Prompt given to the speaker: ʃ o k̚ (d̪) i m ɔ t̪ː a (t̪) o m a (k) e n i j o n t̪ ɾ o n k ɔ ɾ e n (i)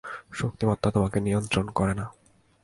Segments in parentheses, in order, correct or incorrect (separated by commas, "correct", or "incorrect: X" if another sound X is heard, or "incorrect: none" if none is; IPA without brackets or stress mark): incorrect: t̪, correct, correct, incorrect: a